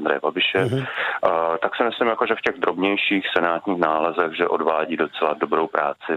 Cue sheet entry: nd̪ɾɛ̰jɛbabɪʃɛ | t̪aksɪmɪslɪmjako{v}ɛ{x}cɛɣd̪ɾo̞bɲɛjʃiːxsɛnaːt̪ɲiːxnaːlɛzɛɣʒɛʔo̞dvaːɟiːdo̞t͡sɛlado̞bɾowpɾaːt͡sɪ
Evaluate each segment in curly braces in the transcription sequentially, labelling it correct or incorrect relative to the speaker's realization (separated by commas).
incorrect, incorrect